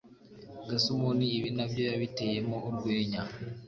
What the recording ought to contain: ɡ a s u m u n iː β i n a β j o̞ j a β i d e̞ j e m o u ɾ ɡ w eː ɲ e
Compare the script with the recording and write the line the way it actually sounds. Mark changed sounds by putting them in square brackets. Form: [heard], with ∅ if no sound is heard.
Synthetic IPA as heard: ɡ a s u m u n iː β i n a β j o̞ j a β i [t] e̞ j e m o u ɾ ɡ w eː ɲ [a]